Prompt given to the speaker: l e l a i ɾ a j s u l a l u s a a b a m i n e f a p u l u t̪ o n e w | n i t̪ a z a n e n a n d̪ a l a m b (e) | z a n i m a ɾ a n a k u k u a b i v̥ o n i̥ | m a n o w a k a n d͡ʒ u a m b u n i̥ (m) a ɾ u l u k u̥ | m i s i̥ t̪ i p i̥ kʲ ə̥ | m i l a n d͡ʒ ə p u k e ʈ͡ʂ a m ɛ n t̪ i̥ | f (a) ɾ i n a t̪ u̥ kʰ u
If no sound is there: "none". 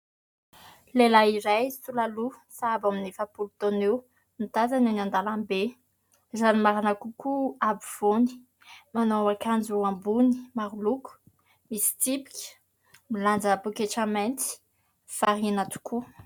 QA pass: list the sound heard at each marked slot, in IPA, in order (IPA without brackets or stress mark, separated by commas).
e, m, a